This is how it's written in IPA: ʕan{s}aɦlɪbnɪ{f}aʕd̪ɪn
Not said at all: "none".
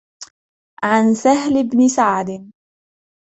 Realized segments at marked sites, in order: s, s

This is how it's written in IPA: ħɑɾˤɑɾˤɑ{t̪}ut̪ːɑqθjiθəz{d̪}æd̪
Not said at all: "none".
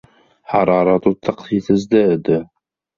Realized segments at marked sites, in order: t̪, d̪

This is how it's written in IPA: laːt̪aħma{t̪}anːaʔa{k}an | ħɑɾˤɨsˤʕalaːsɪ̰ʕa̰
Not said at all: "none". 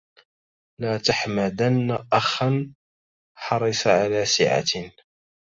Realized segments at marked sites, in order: d̪, x

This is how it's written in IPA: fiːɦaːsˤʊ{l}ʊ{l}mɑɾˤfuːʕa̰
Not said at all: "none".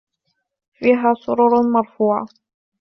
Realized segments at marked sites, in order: ɾ, ɾ

